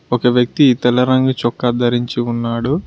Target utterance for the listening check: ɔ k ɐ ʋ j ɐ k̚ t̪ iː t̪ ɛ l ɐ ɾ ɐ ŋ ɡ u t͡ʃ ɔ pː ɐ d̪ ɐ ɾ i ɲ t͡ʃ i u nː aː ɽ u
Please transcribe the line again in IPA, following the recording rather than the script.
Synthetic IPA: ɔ k ɐ ʋ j ɐ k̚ t̪ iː t̪ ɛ l ɐ ɾ ɐ ŋ ɡ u t͡ʃ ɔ kː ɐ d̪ ɐ ɾ i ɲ t͡ʃ i u nː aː ɽ u